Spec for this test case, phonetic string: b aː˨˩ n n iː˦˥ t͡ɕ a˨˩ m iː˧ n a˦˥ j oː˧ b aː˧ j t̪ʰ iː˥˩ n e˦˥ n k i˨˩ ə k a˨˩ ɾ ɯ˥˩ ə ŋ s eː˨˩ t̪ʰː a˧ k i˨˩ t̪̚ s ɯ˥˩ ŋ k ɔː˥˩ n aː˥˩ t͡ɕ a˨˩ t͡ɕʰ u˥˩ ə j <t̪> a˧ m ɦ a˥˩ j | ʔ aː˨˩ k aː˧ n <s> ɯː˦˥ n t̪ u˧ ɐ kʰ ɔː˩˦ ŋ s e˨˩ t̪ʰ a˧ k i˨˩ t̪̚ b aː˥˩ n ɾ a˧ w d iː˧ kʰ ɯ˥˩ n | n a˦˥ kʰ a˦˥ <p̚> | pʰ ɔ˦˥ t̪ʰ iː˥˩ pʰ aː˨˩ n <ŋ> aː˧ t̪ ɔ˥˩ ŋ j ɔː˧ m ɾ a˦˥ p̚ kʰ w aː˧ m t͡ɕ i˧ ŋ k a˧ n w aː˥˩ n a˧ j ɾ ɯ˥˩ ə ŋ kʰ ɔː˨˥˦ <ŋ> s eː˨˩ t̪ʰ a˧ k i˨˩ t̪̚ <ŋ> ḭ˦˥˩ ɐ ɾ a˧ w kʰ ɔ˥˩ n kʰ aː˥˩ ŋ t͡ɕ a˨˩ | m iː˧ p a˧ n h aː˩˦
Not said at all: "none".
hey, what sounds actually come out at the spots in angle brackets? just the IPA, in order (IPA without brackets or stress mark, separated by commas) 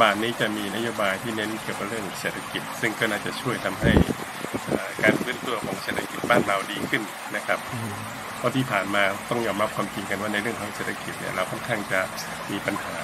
t̪ʰ, f, p̚, m, ŋ, n